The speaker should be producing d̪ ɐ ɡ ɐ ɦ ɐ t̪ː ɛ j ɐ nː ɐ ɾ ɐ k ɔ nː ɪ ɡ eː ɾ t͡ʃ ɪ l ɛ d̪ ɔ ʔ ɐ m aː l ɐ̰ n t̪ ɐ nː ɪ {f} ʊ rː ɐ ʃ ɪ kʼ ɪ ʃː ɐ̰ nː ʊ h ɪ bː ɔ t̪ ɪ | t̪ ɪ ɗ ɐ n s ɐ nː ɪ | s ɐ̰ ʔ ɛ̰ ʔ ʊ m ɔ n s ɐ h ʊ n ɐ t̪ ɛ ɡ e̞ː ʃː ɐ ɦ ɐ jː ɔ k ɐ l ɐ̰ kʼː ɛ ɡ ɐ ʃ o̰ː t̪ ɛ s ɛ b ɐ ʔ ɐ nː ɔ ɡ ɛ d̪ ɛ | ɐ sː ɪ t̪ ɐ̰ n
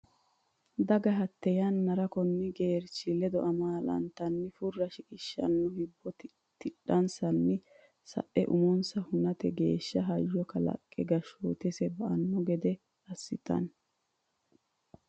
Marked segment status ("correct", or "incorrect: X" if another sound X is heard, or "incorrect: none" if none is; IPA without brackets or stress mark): correct